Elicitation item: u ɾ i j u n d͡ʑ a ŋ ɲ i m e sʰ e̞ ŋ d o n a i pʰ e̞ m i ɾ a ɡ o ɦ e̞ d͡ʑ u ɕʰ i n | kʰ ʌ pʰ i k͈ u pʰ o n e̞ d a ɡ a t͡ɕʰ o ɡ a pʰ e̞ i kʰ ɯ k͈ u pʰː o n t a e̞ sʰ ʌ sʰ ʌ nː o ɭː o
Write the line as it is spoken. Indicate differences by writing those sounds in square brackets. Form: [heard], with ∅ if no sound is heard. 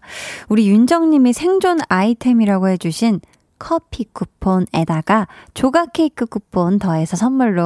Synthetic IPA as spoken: u ɾ i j u n d͡ʑ [ʌ] ŋ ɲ i m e sʰ e̞ ŋ [d͡ʑ] o n a i [tʰ] e̞ m i ɾ a ɡ o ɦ e̞ d͡ʑ u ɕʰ i n | kʰ ʌ pʰ i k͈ u pʰ o n e̞ d a ɡ a [t͡ɕ] o ɡ a [kʰ] e̞ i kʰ ɯ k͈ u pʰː o n t [ʌ] e̞ sʰ ʌ sʰ ʌ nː [u] ɭː o